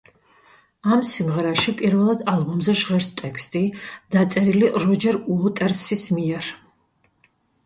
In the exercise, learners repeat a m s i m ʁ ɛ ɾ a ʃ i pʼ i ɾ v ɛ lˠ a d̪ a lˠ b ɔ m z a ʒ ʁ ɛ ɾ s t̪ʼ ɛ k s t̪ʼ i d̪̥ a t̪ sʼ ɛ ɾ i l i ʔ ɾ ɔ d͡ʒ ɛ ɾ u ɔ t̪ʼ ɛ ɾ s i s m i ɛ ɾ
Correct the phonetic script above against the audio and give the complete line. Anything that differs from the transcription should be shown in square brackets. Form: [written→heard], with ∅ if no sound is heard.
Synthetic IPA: a m s i m ʁ ɛ ɾ a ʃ i pʼ i ɾ v ɛ lˠ a d̪ a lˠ b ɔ m z [a→ɛ] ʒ ʁ ɛ ɾ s t̪ʼ ɛ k s t̪ʼ i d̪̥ a t̪ sʼ ɛ ɾ i l i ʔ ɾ ɔ d͡ʒ ɛ ɾ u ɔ t̪ʼ ɛ ɾ s i s m i ɛ ɾ

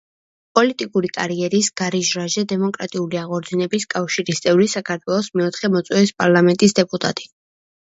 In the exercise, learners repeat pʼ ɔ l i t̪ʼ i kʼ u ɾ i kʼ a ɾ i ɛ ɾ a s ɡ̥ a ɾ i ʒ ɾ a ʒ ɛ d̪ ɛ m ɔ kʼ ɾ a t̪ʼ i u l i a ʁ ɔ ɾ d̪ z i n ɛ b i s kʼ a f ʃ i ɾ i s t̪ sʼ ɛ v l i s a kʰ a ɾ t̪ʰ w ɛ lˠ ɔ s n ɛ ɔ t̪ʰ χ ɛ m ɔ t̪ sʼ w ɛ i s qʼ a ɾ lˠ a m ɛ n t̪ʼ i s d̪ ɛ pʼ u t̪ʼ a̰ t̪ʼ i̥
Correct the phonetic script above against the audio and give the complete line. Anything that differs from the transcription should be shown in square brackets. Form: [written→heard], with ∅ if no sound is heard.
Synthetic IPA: pʼ ɔ l i t̪ʼ i kʼ u ɾ i kʼ a ɾ i ɛ ɾ [a→i] s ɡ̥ a ɾ i ʒ ɾ a ʒ ɛ d̪ ɛ m ɔ kʼ ɾ a t̪ʼ i u l i a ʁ ɔ ɾ d̪ z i n ɛ b i s kʼ a f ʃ i ɾ i s t̪ sʼ ɛ v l i s a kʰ a ɾ t̪ʰ w ɛ lˠ ɔ s [n→m] ɛ ɔ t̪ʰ χ ɛ m ɔ t̪ sʼ w ɛ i s [qʼ→pʼ] a ɾ lˠ a m ɛ n t̪ʼ i s d̪ ɛ pʼ u t̪ʼ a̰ t̪ʼ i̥

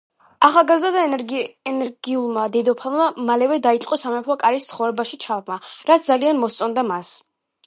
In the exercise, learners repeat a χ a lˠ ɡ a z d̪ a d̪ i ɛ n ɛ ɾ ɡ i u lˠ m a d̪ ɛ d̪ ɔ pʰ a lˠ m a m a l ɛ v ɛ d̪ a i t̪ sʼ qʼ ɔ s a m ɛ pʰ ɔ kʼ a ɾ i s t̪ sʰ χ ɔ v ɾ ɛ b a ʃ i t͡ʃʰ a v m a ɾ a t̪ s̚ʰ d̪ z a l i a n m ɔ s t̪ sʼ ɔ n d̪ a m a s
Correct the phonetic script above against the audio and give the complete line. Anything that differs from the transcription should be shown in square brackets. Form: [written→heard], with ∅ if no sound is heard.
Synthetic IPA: a χ a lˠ ɡ a z d̪ a d̪ [i→a] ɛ n ɛ ɾ ɡ i u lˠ m a d̪ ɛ d̪ ɔ pʰ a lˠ m a m a l ɛ v ɛ d̪ a i t̪ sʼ qʼ ɔ s a m ɛ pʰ ɔ kʼ a ɾ i s t̪ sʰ χ ɔ v ɾ ɛ b a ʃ i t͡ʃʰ a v m a ɾ a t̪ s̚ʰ d̪ z a l i a n m ɔ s t̪ sʼ ɔ n d̪ a m a s

